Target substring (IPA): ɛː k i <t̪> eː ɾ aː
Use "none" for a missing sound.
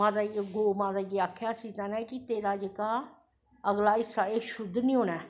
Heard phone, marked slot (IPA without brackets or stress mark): t̪